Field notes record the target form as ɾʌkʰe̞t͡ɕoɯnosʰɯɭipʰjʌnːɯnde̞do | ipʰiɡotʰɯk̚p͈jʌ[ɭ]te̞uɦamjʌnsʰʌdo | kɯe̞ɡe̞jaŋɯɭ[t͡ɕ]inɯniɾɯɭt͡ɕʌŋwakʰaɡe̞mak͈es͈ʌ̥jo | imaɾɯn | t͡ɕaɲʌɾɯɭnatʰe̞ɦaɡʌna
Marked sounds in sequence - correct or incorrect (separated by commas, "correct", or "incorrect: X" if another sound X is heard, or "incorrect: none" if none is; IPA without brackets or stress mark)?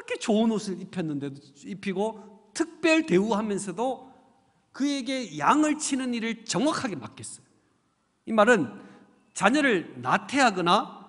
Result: correct, incorrect: t͡ɕʰ